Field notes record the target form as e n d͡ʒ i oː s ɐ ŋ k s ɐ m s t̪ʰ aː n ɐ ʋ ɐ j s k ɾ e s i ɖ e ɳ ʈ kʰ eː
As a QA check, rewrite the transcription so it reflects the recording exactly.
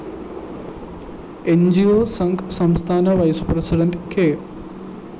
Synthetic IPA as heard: e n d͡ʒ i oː s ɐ ŋ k s ɐ m s t̪ʰ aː n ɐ ʋ ɐ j s p ɾ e s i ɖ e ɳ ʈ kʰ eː

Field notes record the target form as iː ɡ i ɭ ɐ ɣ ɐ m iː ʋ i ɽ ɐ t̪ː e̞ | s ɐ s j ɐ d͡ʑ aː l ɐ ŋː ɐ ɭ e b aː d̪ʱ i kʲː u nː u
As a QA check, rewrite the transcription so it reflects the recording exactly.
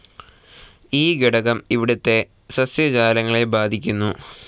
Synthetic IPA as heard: iː ɡ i ɽ ɐ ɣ ɐ m i ʋ i ɽ ɐ t̪ː e̞ | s ɐ s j ɐ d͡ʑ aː l ɐ ŋː ɐ ɭ e b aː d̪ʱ i kʲː u nː u

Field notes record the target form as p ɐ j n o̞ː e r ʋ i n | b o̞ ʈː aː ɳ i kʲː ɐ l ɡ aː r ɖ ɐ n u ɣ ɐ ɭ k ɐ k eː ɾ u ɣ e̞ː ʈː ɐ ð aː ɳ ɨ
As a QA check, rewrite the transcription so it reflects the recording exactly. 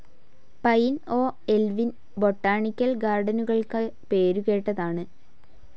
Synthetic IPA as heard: p ɐ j n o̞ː e l ʋ i n | b o̞ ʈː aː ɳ i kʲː ɐ l ɡ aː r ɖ ɐ n u ɣ ɐ ɭ k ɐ p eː ɾ u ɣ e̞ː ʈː ɐ ð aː ɳ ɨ

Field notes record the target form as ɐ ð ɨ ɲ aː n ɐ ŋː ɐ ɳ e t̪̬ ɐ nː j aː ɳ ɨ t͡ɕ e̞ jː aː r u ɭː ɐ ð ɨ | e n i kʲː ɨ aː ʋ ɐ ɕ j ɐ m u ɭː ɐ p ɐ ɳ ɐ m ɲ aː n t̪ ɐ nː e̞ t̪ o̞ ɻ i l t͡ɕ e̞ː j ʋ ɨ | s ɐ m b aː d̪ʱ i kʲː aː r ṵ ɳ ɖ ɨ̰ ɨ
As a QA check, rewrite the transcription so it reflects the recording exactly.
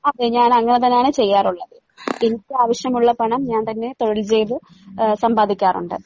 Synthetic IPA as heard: ɐ ð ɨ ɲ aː n ɐ ŋː ɐ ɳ e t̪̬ ɐ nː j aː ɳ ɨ t͡ɕ e̞ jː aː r u ɭː ɐ ð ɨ | e n i kʲː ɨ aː ʋ ɐ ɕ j ɐ m u ɭː ɐ p ɐ ɳ ɐ m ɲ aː n t̪ ɐ nː e̞ t̪ o̞ ɻ i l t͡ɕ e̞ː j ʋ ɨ | s ɐ m b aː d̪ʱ i kʲː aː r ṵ ɳ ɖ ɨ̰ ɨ

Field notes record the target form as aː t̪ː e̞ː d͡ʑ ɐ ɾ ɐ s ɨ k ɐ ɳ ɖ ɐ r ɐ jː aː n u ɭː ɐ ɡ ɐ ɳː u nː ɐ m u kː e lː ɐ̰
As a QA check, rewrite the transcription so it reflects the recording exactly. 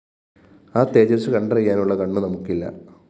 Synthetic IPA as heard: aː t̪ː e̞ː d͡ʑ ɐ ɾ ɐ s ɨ k ɐ ɳ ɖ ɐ r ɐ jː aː n u ɭː ɐ k ɐ ɳː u n ɐ m u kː i lː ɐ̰

